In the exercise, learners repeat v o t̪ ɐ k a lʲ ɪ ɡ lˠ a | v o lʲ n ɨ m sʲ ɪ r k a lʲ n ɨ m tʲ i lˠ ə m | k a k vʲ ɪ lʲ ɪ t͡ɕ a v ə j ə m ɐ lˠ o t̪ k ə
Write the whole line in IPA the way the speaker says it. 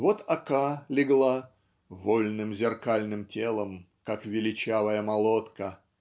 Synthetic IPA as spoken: v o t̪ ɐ k a lʲ ɪ ɡ lˠ a | v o lʲ n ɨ m zʲ ɪ r k a lʲ n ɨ m tʲ e lˠ ə m | k a k vʲ ɪ lʲ ɪ t͡ɕ a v ə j ə m ɐ lˠ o t̪ k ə